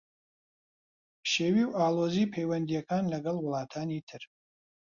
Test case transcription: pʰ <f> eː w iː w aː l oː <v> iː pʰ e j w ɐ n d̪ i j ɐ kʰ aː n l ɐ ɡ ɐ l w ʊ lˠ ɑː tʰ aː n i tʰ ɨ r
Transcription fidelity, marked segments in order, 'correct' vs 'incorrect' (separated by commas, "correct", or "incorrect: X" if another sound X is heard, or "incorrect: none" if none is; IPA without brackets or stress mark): incorrect: ʃ, incorrect: z